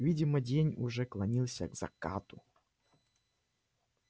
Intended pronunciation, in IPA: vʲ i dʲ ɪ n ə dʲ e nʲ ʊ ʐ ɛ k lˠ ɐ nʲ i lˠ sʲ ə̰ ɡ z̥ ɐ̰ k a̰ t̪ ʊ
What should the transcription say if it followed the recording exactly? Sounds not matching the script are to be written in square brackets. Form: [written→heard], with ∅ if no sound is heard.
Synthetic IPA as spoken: vʲ i dʲ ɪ [n→m] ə dʲ e nʲ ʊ ʐ ɛ k lˠ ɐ nʲ i lˠ sʲ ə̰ ɡ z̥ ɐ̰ k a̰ t̪ ʊ